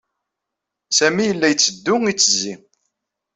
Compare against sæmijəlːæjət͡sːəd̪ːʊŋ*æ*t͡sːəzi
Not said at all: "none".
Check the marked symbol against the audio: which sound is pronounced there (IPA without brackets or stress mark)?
i